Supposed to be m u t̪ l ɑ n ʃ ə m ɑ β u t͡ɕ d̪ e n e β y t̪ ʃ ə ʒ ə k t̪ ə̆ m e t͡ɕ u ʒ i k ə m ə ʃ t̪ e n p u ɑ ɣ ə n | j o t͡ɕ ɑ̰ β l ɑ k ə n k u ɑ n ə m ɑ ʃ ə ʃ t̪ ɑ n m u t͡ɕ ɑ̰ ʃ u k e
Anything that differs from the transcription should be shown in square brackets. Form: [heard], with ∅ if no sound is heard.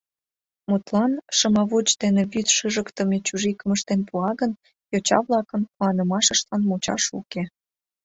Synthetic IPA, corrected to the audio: m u t̪ l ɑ n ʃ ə m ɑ β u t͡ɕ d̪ e n e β y t̪ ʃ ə ʒ ə k t̪ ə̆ m e t͡ɕ u ʒ i k ə m ə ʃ t̪ e n p u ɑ ɣ ə n | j o t͡ɕ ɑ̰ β l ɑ k ə n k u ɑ n ə m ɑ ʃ ə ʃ t̪ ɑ n m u t͡ɕ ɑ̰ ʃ u k e

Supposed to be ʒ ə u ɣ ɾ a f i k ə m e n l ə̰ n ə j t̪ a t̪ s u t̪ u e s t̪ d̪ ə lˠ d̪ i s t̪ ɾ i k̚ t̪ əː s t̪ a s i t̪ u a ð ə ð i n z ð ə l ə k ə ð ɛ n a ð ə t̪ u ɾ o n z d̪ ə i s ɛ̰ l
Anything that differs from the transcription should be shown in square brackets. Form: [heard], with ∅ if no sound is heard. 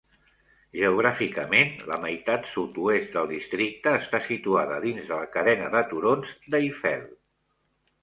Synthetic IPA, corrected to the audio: ʒ ə u ɣ ɾ a f i k ə m e n l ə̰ [m] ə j t̪ a t̪ s u t̪ u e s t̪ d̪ ə lˠ d̪ i s t̪ ɾ i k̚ t̪ əː s t̪ a s i t̪ u a ð ə ð i n z ð ə l ə k ə ð ɛ n [ə] ð ə t̪ u ɾ o n z d̪ ə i [f] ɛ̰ l

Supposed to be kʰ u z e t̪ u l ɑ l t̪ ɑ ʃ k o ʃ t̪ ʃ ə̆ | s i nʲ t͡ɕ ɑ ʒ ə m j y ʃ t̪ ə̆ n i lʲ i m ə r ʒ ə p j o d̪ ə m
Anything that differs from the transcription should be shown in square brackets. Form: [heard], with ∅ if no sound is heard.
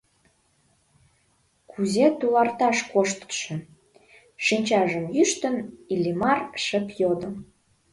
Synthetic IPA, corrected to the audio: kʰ u z e t̪ u l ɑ [r] t̪ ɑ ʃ k o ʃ t̪ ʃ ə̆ | [ʃ] i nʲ t͡ɕ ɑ ʒ ə m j y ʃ t̪ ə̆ n i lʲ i m [ɑ] r [ʃ] ə p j o d̪ ə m

